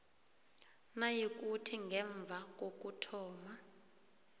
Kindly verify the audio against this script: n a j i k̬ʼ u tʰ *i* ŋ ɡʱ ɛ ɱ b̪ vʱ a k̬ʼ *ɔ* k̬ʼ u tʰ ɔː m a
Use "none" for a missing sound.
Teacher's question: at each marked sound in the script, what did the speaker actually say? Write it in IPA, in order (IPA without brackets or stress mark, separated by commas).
i, o